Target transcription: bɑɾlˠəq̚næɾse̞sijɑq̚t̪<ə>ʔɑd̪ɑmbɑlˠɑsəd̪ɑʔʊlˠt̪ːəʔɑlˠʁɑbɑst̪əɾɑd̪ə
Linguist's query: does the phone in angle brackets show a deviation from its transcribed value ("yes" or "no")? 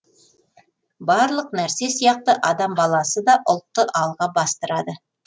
no